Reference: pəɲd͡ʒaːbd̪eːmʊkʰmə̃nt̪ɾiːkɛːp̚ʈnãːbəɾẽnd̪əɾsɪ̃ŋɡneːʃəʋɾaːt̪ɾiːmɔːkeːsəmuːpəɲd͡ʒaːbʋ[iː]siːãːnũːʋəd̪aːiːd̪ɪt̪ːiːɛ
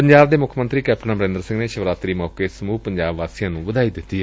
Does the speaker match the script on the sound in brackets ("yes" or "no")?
no